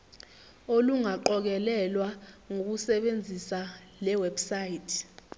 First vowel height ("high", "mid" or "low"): mid